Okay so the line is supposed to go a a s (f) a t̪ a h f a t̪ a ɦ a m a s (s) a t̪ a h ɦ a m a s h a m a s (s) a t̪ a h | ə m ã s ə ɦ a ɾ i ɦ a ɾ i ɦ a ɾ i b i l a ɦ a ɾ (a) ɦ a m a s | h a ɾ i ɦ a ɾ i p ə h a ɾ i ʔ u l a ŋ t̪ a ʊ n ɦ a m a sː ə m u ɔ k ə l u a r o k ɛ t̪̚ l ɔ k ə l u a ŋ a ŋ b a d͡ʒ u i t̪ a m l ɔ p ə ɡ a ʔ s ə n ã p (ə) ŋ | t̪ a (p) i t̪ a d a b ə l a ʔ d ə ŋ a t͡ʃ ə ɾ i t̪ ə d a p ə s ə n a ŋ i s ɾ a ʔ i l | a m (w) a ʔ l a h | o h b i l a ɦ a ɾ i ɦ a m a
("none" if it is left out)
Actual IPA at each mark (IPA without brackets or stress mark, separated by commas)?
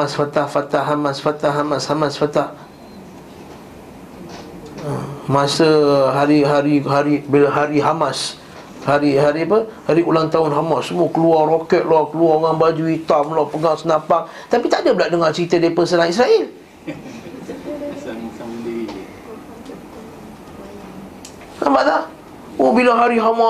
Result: f, f, f, i, a, p, b